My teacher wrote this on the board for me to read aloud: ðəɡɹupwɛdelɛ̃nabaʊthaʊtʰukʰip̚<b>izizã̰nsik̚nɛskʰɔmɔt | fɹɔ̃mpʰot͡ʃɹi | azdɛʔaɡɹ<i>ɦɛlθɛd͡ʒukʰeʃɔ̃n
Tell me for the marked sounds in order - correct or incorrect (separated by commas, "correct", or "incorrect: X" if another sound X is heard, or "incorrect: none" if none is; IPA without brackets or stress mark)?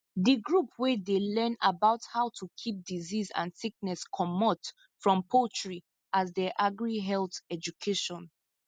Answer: incorrect: d, correct